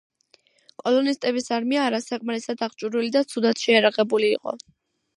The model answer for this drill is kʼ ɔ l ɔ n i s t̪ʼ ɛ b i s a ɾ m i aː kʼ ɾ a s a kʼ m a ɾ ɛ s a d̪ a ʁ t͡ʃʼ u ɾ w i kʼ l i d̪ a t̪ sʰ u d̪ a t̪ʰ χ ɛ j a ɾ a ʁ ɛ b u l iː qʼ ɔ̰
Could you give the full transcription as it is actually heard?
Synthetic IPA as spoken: kʼ ɔ l ɔ n i s t̪ʼ ɛ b i s a ɾ m i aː ɾ a s a kʼ m a ɾ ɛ s a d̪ a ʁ t͡ʃʼ u ɾ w i l i d̪ a t̪ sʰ u d̪ a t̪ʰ ʃ ɛ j a ɾ a ʁ ɛ b u l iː qʼ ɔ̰